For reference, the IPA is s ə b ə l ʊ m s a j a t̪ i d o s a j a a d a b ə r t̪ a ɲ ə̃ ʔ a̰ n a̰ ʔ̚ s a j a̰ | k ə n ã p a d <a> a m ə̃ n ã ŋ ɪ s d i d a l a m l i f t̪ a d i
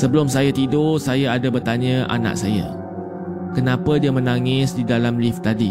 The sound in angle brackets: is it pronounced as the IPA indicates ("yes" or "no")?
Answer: no